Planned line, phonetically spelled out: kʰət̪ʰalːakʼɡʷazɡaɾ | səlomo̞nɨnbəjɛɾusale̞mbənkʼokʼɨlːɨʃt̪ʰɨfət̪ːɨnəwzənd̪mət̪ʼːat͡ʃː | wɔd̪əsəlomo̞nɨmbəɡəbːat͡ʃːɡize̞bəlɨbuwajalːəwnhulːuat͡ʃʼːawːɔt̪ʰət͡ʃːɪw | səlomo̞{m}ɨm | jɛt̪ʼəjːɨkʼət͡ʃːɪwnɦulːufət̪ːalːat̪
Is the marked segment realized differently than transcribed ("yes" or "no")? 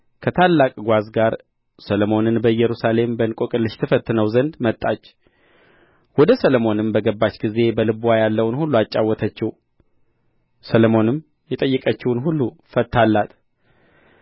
yes